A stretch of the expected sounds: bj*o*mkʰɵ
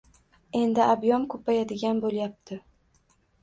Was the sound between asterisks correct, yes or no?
no